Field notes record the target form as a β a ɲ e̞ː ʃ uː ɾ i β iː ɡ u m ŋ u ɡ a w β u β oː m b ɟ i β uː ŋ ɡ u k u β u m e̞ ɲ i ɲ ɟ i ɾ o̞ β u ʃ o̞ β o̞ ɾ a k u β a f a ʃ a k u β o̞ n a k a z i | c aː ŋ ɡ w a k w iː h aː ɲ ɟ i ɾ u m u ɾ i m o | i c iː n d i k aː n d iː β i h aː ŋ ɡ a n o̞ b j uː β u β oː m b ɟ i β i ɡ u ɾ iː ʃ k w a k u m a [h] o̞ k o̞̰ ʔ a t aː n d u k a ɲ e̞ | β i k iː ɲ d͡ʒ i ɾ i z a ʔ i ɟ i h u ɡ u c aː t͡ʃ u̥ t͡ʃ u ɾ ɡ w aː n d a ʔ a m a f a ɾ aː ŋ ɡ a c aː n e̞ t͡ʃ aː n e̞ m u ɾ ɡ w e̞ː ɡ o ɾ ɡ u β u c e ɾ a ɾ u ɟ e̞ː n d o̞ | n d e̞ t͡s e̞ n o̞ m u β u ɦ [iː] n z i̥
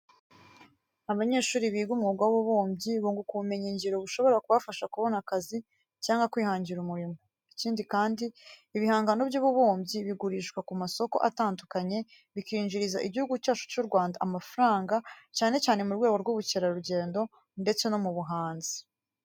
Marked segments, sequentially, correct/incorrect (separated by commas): incorrect, incorrect